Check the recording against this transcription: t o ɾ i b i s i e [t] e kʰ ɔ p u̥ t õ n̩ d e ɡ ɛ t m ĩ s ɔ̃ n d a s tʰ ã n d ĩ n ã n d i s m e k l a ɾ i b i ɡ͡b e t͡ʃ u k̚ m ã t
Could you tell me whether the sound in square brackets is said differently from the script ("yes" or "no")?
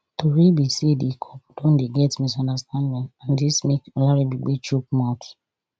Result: yes